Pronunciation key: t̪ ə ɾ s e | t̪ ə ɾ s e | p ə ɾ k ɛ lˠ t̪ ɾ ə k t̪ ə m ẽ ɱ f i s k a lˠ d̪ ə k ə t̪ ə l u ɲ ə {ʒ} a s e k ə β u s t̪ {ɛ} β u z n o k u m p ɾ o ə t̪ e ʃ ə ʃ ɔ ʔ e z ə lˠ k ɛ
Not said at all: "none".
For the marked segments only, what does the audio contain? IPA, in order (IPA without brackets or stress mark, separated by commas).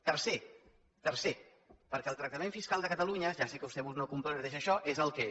ʒ, ɛ